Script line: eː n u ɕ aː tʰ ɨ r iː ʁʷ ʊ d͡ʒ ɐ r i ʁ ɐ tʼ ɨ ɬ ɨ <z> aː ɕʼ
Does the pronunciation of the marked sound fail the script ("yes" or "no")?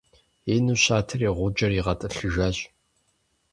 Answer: yes